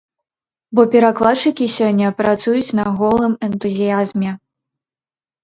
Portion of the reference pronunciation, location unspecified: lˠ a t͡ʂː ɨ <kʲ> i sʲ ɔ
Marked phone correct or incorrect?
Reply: correct